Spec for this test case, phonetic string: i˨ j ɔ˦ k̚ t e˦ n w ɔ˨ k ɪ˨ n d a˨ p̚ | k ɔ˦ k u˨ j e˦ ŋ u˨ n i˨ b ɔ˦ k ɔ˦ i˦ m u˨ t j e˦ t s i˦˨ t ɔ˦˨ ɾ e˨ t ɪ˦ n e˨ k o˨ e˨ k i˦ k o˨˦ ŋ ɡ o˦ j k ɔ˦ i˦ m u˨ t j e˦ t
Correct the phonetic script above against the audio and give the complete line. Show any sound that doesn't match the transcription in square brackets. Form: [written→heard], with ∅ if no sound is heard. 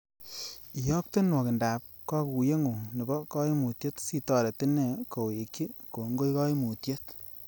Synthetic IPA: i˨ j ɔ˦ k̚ t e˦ n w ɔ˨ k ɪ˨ n d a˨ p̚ | k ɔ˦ k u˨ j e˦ ŋ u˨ n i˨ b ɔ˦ k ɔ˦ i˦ m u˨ t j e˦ t s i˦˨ t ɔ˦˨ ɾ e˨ t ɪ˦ n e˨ k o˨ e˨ k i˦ k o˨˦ ŋ ɡ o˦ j k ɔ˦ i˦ m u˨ t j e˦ t